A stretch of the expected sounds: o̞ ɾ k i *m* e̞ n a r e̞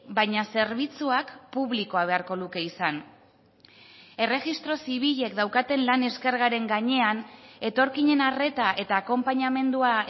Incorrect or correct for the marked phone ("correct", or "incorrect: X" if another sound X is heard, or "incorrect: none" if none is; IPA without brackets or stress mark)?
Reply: incorrect: ɲ